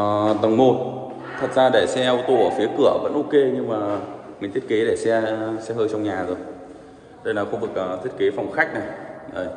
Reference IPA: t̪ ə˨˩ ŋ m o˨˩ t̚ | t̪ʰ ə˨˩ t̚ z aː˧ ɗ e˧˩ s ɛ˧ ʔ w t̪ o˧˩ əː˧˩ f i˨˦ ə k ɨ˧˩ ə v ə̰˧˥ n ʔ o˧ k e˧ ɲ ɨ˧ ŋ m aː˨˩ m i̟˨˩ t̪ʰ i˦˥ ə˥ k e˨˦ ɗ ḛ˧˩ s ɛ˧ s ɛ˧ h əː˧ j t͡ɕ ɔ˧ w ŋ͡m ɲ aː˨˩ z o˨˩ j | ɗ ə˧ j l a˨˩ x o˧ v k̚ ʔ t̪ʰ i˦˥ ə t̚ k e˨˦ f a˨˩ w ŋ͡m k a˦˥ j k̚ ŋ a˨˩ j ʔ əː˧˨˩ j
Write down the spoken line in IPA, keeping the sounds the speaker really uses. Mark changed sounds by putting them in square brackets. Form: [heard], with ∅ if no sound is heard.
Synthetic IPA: t̪ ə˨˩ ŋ m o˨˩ t̚ | t̪ʰ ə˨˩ t̚ z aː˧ ɗ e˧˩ s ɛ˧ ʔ w t̪ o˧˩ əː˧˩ f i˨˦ ə k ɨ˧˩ ə v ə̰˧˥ n ʔ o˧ k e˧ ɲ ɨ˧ ŋ m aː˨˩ m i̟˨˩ t̪ʰ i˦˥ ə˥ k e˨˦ ɗ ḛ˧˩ s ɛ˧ s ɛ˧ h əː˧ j t͡ɕ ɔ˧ w ŋ͡m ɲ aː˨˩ z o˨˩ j | ɗ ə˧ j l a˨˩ x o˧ v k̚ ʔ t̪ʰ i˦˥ ə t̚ k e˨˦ f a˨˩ w ŋ͡m [x] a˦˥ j k̚ [n] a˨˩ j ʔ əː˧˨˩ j